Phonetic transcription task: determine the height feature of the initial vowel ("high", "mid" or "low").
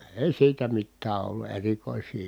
mid